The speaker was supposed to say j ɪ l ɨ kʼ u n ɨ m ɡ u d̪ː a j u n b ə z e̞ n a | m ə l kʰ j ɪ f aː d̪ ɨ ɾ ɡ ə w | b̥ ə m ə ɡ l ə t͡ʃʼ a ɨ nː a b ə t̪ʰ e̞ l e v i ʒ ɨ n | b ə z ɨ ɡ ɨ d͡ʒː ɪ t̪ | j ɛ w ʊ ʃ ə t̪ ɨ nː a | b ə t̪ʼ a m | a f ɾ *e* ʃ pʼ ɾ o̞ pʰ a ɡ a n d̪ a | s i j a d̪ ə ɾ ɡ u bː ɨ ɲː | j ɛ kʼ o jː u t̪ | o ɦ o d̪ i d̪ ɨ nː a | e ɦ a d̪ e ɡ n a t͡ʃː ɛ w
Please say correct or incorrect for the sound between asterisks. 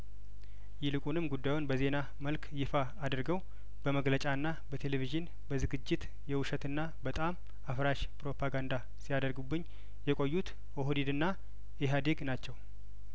incorrect